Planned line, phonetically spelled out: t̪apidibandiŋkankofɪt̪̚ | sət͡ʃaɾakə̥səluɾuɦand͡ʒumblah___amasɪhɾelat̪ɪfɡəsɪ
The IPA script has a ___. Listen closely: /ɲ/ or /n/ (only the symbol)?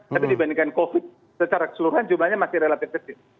ɲ